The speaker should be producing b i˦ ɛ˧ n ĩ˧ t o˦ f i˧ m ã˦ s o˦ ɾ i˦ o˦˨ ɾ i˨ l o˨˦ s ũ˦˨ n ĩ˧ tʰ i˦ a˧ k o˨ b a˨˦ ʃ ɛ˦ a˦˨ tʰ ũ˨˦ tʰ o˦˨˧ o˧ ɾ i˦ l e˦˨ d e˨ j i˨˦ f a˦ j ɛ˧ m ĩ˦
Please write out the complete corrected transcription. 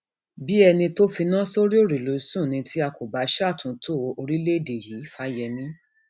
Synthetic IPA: b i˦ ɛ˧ n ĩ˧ t o˦ f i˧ n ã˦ s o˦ ɾ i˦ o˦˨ ɾ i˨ l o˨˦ s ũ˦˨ n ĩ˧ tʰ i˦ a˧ k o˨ b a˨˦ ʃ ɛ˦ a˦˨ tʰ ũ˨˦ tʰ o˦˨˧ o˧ ɾ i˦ l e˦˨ d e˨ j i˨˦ f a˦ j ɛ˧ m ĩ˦